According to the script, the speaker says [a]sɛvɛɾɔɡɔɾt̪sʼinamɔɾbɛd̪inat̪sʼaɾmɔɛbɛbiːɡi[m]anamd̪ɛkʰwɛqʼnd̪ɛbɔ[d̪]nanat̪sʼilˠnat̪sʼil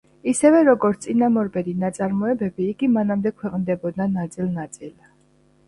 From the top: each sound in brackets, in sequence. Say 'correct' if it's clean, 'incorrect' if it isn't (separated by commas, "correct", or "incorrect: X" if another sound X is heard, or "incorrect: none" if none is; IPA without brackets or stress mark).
incorrect: i, correct, correct